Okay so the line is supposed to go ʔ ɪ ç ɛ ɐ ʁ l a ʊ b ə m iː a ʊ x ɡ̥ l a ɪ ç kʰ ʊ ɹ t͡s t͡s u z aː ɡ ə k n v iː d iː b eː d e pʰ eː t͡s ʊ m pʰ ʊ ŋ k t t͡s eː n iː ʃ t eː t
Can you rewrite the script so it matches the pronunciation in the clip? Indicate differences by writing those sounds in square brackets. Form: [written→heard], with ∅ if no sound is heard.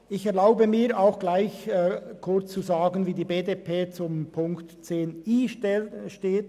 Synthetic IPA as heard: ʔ ɪ ç ɛ ɐ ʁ l a ʊ b ə m iː a ʊ x ɡ̥ l a ɪ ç kʰ ʊ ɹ t͡s t͡s u z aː ɡ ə [k→∅] n v iː d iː b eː d e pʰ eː t͡s ʊ m pʰ ʊ ŋ k t t͡s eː n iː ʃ t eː t